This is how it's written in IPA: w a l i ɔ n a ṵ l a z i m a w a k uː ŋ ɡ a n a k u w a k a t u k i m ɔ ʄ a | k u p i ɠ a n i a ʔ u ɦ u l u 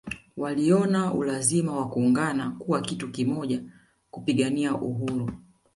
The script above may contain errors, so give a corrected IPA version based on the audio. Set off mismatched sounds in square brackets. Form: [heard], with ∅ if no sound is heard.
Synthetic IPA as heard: w a l i ɔ n a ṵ l a z i m a w a k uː ŋ ɡ a n a k u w a k [i] t u k i m ɔ ʄ a | k u p i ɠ a n i a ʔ u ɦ u [ɾ] u

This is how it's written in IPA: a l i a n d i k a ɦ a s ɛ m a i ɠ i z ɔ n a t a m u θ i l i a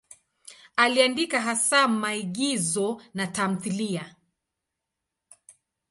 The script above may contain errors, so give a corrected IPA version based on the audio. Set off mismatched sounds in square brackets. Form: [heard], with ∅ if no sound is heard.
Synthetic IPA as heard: a l i a n d i k a ɦ a s [a] m a i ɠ i z ɔ n a t a m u θ i l i a

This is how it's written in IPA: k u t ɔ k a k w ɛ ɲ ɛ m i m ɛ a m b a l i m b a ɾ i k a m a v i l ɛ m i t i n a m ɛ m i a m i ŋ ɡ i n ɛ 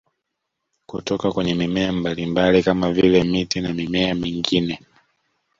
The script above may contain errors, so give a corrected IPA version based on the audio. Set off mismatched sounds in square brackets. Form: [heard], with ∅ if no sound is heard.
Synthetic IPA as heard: k u t ɔ k a k w ɛ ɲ ɛ m i m ɛ a m b a l i m b a [l] i k a m a v i l ɛ m i t i n a m [i] m [ɛ] a m i ŋ ɡ i n ɛ

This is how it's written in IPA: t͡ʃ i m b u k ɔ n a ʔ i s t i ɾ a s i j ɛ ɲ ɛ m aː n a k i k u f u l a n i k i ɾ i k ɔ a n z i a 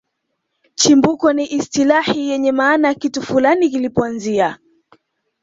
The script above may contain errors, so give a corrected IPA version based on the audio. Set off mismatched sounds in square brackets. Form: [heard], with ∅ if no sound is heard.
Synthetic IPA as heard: t͡ʃ i m b u k ɔ n [i] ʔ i s t i [l] a [h] i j ɛ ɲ ɛ m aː n a k i [t] u f u l a n i k i [l] i [p] ɔ a n z i a

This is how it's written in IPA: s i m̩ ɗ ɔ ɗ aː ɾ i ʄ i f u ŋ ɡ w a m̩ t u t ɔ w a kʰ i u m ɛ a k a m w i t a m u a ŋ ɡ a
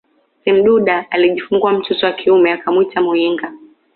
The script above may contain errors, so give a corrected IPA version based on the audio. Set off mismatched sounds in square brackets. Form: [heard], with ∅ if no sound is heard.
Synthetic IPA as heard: s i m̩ ɗ [u] ɗ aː [l] i ʄ i f u ŋ ɡ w a m̩ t u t ɔ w a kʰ i u m ɛ a k a m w i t a m u [i] ŋ ɡ a

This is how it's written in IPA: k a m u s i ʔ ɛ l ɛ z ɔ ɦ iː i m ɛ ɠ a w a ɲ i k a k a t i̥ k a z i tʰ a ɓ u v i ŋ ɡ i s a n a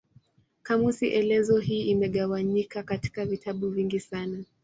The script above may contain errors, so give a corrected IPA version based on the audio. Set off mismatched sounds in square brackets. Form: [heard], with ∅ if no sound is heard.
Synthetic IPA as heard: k a m u s i ʔ ɛ l ɛ z ɔ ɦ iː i m ɛ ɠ a w a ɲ i k a k a t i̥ k a [v] i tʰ a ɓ u v i ŋ ɡ i s a n a

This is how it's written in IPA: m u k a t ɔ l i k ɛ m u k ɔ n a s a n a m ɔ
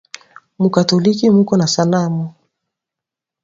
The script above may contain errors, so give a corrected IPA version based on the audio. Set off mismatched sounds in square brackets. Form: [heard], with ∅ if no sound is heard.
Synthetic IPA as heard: m u k a t ɔ l i k [i] m u k ɔ n a s a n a m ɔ

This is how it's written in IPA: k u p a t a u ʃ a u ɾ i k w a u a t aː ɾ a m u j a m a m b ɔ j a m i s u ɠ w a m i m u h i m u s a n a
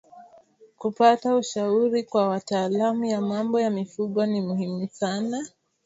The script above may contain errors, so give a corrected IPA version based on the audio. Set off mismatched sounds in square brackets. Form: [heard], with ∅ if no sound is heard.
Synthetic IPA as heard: k u p a t a u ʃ a u ɾ i k w a [w] a t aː [l] a m u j a m a m b ɔ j a m i [f] u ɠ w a [n] i m u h i m u s a n a

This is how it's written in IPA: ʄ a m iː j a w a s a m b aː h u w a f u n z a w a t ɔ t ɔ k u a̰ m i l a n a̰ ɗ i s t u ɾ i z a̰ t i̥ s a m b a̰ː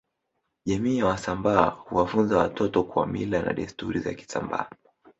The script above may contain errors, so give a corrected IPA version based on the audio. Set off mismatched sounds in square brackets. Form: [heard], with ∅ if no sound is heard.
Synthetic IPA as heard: ʄ a m iː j a w a s a m b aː h u w a f u n z a w a t ɔ t ɔ k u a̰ m i l a n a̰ ɗ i s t u ɾ i z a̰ [k] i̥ s a m b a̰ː

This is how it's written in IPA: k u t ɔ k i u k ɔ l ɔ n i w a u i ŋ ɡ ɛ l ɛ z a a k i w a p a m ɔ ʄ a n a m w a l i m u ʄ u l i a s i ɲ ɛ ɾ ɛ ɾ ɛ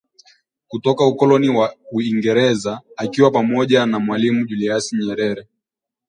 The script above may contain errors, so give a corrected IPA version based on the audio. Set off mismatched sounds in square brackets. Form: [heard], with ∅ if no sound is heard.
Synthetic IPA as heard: k u t ɔ k [a] u k ɔ l ɔ n i w a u i ŋ ɡ ɛ [ɾ] ɛ z a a k i w a p a m ɔ ʄ a n a m w a l i m u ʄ u l i a s i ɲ ɛ ɾ ɛ ɾ ɛ

